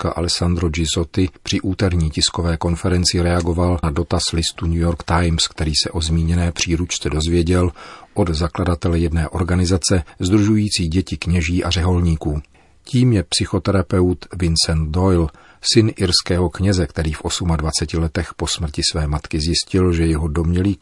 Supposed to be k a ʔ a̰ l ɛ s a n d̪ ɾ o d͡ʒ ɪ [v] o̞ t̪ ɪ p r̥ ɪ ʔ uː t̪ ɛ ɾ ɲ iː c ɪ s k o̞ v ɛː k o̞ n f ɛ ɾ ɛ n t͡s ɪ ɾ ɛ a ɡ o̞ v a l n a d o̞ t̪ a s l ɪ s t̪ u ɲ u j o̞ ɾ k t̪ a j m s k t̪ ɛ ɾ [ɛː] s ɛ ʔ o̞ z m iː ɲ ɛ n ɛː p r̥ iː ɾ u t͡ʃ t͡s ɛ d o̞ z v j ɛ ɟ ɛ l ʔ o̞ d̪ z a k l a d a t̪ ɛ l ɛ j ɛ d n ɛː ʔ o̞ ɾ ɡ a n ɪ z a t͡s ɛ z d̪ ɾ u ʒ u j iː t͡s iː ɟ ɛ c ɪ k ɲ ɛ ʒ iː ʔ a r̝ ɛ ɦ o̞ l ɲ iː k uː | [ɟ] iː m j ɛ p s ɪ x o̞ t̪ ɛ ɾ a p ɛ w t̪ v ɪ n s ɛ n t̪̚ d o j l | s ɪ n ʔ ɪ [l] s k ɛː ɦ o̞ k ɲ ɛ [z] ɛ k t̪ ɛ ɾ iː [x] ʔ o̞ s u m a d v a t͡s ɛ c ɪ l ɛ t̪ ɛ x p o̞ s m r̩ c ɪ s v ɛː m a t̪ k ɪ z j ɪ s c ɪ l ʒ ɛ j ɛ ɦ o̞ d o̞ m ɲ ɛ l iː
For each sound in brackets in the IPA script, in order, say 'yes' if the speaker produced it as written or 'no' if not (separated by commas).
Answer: no, no, no, no, yes, no